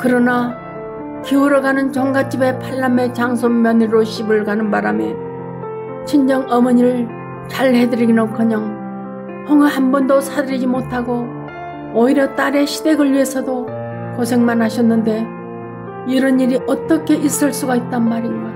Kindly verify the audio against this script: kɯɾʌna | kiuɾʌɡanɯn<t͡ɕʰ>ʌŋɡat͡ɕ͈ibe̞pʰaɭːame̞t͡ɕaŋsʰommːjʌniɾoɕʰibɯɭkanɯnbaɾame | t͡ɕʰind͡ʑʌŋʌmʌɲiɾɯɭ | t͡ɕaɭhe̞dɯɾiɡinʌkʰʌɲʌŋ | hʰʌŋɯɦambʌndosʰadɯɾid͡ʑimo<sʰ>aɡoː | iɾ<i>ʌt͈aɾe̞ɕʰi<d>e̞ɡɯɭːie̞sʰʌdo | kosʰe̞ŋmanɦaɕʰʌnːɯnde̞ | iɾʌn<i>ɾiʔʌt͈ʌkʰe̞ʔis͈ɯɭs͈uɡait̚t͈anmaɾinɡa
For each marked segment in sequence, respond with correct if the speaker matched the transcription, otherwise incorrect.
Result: incorrect: t͡ɕ, incorrect: tʰ, incorrect: j, correct, correct

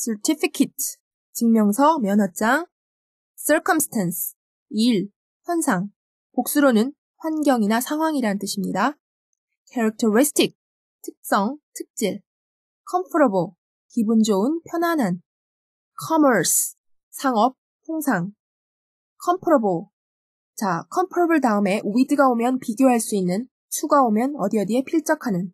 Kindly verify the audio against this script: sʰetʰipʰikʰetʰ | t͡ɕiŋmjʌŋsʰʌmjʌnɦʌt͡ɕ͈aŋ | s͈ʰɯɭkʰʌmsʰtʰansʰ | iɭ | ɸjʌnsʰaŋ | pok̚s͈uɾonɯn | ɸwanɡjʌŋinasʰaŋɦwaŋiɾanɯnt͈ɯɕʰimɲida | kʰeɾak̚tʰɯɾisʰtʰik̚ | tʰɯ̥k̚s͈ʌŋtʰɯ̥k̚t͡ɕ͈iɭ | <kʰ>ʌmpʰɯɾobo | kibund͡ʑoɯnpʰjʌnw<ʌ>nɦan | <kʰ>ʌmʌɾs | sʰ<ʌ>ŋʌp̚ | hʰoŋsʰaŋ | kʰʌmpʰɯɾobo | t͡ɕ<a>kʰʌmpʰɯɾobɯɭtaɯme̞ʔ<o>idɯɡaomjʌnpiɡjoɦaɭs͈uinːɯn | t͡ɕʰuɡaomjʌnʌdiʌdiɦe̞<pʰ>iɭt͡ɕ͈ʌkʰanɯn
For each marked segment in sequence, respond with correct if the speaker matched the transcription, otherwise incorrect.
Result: correct, incorrect: a, correct, incorrect: a, correct, incorrect: u, correct

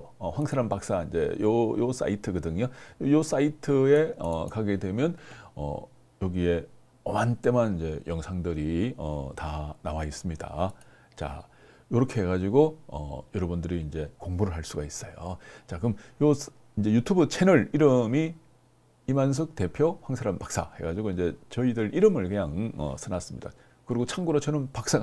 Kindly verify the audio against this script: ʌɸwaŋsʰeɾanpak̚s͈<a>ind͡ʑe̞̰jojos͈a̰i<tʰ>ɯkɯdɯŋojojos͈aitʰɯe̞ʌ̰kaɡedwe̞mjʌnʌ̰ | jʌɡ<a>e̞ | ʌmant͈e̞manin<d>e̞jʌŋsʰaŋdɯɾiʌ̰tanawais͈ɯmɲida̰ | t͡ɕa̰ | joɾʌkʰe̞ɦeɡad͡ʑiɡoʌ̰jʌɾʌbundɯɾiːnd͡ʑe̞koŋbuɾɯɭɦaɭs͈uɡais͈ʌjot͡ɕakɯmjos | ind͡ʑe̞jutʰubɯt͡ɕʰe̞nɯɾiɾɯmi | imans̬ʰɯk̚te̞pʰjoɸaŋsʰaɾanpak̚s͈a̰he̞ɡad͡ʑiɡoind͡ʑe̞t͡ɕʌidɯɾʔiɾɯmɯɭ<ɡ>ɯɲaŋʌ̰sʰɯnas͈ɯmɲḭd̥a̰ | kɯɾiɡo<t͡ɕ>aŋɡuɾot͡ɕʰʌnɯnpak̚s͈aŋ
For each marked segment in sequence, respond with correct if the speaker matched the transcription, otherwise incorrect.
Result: correct, correct, incorrect: i, incorrect: d͡ʑ, incorrect: k, incorrect: t͡ɕʰ

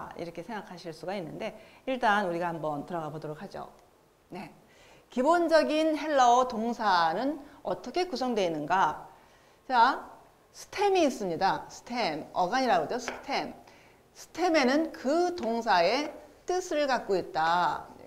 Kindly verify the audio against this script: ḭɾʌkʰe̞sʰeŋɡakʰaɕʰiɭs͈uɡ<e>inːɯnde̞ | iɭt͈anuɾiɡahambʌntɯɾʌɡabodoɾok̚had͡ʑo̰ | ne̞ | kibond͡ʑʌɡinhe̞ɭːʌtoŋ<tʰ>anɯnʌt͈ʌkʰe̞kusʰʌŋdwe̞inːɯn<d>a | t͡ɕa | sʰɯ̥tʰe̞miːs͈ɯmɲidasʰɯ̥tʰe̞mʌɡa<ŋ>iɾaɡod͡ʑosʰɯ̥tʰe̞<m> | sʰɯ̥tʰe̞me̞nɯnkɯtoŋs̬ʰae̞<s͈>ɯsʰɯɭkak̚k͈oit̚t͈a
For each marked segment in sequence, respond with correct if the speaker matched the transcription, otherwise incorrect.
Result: incorrect: a, incorrect: sʰ, incorrect: ɡ, incorrect: ɲ, correct, incorrect: t͈

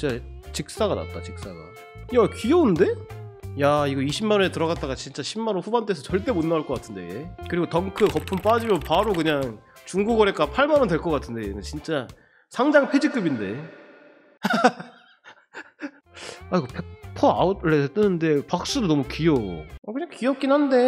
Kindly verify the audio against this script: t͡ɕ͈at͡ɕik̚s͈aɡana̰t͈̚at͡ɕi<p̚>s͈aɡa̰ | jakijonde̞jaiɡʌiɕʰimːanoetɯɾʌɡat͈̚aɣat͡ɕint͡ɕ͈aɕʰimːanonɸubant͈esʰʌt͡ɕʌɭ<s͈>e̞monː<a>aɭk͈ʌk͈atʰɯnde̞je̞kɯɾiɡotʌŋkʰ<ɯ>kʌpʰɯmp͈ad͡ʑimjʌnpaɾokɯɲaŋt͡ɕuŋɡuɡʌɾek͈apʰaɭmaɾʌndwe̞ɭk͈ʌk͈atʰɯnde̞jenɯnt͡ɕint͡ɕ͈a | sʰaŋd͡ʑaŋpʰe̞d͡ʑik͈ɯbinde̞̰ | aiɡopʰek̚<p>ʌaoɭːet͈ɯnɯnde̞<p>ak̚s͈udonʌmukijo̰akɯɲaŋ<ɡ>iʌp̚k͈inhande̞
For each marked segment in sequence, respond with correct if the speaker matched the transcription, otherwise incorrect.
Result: incorrect: k̚, incorrect: t͈, correct, correct, incorrect: pʰ, correct, incorrect: k

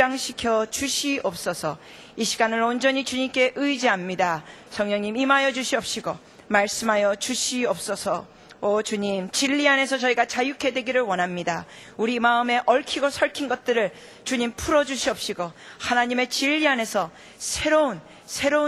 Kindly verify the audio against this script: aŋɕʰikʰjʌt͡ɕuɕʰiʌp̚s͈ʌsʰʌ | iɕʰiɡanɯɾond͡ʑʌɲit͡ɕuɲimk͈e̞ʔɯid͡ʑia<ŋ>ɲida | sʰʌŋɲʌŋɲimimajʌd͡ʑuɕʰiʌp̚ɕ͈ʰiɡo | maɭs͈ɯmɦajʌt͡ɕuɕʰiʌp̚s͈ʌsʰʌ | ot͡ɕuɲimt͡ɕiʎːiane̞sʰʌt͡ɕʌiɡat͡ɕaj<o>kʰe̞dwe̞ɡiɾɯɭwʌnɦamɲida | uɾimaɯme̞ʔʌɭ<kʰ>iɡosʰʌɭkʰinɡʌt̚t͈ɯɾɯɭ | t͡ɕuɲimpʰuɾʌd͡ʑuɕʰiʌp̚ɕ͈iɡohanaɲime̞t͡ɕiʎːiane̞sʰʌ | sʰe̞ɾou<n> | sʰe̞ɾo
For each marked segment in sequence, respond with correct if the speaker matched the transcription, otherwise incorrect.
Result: incorrect: m, incorrect: u, correct, correct

